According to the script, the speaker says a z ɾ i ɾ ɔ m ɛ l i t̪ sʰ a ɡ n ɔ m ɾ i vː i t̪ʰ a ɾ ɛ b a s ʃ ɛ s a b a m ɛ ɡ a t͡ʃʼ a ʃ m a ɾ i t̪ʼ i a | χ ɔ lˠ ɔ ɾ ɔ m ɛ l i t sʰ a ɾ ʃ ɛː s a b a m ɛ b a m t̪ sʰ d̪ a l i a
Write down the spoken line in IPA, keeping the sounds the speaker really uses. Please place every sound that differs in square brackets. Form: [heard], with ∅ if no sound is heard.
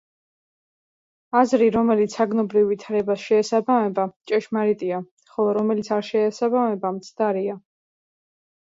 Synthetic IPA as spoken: a z ɾ i ɾ ɔ m ɛ l i t̪ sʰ a ɡ n ɔ [b] ɾ i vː i t̪ʰ a ɾ ɛ b a s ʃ [ɛː] s a b a m ɛ [b] a t͡ʃʼ [ɛ] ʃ m a ɾ i t̪ʼ i a | χ ɔ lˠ ɔ ɾ ɔ m ɛ l i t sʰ a ɾ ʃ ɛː s a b a m ɛ b a m t̪ sʰ d̪ a [ɾ] i a